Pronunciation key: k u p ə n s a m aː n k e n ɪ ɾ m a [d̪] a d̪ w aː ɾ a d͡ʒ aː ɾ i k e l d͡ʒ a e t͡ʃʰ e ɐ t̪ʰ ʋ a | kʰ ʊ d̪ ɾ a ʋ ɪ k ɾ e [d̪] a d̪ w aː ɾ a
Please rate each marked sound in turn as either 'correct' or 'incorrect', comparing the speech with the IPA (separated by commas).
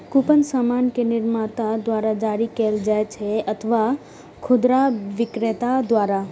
incorrect, incorrect